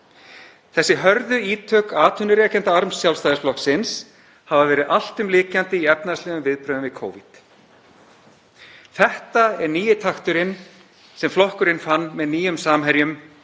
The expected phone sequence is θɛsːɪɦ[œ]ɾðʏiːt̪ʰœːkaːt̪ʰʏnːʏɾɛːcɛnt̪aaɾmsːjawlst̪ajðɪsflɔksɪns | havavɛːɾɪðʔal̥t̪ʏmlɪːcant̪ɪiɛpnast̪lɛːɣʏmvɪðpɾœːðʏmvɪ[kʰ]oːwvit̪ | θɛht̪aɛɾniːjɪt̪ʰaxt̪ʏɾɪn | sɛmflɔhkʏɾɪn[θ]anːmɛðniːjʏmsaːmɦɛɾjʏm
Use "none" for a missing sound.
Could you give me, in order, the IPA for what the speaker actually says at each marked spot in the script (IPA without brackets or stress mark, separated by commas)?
œ, kʰ, f